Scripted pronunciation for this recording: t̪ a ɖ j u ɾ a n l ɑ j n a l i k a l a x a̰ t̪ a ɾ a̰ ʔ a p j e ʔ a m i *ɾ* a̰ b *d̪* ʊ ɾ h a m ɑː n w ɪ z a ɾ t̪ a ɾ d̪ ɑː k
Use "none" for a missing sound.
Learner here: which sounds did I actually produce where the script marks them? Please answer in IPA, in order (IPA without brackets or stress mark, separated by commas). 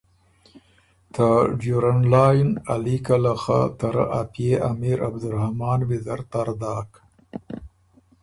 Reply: ɾ, d̪